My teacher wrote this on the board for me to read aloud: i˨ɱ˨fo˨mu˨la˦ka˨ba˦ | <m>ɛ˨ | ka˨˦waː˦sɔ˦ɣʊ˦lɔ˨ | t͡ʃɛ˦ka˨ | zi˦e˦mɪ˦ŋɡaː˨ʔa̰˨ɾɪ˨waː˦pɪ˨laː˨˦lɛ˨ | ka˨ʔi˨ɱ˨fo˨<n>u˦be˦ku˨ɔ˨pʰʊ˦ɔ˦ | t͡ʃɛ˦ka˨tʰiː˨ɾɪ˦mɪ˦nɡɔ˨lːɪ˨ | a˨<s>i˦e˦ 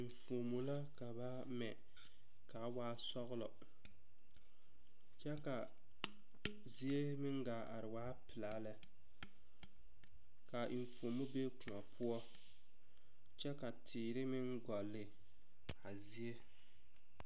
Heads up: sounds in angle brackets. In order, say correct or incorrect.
correct, incorrect: m, incorrect: z

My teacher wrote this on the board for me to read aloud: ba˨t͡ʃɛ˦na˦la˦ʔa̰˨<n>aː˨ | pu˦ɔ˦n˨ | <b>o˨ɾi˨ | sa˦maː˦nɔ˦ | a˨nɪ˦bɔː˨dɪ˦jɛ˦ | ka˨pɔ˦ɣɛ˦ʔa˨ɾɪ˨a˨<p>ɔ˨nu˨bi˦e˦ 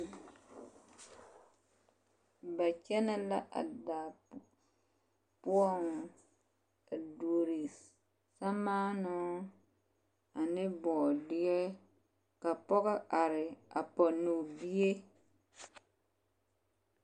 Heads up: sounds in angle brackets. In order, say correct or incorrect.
incorrect: d, incorrect: d, correct

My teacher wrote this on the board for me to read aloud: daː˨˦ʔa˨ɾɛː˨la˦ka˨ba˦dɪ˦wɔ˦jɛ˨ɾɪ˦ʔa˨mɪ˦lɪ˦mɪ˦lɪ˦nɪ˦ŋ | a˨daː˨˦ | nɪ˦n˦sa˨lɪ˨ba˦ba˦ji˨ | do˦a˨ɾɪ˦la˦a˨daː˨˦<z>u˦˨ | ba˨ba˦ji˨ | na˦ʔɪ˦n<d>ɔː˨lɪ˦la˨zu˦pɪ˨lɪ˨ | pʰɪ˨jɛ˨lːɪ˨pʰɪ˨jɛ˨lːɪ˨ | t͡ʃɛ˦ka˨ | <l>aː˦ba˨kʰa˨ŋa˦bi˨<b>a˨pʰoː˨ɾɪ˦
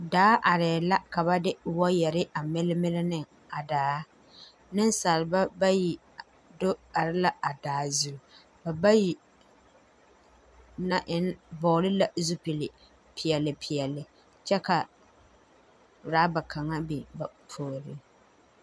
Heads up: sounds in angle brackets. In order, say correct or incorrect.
correct, incorrect: b, incorrect: ɾ, correct

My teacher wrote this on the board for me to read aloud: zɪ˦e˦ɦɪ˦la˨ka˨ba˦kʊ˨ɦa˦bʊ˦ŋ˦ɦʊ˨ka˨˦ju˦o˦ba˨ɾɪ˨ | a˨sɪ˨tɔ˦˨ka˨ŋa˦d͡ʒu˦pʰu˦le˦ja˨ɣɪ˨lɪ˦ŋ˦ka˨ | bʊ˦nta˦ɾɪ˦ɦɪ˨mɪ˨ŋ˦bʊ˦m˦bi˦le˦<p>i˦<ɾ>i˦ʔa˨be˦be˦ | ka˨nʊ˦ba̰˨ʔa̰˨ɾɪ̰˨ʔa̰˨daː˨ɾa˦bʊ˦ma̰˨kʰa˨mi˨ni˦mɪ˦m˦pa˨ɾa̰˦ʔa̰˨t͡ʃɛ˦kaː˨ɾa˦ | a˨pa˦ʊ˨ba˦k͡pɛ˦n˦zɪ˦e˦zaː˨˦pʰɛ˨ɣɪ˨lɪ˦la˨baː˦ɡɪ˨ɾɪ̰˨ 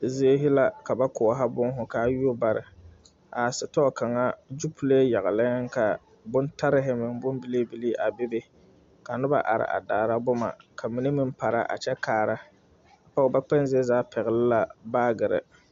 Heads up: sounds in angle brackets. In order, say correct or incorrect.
incorrect: b, incorrect: l

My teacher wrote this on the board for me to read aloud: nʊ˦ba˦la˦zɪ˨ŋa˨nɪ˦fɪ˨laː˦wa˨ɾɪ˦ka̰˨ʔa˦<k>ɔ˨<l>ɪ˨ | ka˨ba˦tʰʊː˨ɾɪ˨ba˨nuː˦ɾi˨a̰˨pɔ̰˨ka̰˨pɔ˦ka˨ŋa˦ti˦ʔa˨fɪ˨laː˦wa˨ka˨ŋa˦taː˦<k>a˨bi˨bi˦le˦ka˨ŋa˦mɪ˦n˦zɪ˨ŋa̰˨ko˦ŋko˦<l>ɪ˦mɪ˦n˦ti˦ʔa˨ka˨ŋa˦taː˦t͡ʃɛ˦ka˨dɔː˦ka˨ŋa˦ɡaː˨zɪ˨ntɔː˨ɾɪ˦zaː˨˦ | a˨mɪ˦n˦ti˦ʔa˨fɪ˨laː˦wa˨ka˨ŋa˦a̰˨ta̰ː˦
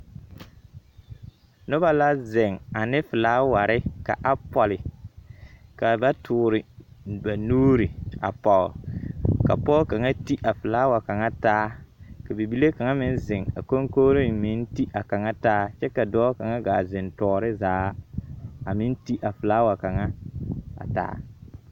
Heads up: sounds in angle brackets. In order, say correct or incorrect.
incorrect: p, correct, correct, incorrect: ɾ

